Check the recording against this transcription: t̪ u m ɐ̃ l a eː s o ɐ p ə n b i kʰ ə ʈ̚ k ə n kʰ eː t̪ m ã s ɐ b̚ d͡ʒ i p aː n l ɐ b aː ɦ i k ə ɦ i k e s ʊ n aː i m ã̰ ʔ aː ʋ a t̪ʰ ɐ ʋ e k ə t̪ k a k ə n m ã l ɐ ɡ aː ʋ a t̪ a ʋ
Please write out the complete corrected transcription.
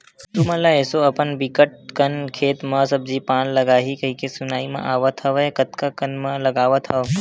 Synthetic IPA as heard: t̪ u m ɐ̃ l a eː s o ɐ p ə n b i k ə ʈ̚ k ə n kʰ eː t̪ m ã s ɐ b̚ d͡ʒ i p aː n l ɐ ɡ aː ɦ i k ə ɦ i k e s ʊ n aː i m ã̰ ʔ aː ʋ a t̪ʰ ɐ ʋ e k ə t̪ k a k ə n m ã l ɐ ɡ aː ʋ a t̪ʰ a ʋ